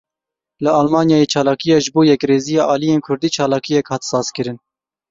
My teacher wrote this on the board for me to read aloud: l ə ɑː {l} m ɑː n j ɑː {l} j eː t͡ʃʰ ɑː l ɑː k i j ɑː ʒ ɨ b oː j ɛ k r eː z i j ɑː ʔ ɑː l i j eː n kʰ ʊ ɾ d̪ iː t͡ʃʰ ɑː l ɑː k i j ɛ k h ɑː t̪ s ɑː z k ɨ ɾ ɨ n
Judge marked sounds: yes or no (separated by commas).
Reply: yes, no